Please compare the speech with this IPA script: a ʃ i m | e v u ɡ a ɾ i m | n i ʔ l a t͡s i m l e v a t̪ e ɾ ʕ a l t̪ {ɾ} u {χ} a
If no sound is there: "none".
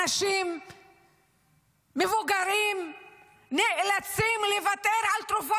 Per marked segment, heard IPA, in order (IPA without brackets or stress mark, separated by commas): ɾ, f